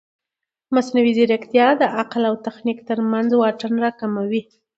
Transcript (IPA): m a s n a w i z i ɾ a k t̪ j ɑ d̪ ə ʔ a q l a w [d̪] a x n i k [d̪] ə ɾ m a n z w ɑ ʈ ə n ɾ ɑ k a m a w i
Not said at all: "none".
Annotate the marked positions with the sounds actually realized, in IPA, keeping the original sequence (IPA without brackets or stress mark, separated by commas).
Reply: t̪, t̪